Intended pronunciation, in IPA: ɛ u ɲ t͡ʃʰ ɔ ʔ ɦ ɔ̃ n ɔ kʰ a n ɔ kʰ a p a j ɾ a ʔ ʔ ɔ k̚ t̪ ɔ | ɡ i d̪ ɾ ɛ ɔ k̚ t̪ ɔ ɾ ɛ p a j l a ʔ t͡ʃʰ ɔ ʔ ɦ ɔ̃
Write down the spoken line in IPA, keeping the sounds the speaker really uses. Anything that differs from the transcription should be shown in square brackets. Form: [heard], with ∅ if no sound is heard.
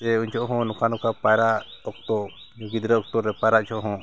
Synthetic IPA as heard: ɛ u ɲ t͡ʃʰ ɔ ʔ ɦ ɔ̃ n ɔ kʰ a n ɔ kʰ a p a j ɾ a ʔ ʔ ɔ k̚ t̪ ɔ | ɡ i d̪ ɾ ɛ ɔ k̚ t̪ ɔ ɾ ɛ p a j [ɾ] a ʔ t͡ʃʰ ɔ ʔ ɦ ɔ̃